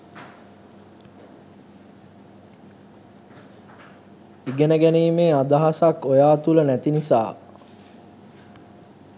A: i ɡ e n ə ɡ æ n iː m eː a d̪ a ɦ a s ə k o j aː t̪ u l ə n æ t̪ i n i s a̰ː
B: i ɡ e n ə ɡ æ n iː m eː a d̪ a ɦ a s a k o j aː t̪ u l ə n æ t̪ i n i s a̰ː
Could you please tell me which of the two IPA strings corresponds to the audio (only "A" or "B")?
B